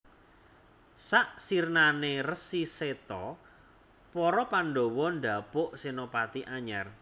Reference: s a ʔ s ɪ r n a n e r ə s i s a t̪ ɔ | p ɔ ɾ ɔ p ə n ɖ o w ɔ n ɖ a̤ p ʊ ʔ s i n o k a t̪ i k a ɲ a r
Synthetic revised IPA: s a ʔ s i r n a n e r ə s i s e t̪ ɔ | p ɔ ɾ ɔ p a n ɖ o w ɔ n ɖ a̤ p ʊ ʔ s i n o p a t̪ i ʔ a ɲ a r